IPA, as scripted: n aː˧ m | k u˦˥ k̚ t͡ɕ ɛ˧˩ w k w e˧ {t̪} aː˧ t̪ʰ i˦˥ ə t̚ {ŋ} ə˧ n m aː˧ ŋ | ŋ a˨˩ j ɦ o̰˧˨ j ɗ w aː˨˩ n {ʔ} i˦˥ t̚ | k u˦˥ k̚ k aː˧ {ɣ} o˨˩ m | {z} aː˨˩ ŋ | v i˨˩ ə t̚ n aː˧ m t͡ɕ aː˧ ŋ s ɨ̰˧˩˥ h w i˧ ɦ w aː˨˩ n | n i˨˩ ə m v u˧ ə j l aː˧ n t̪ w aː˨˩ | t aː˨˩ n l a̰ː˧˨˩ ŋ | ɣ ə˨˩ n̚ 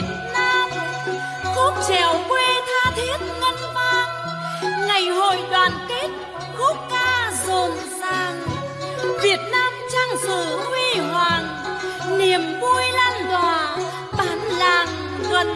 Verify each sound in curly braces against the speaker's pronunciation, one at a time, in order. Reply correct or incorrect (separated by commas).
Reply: incorrect, correct, incorrect, incorrect, correct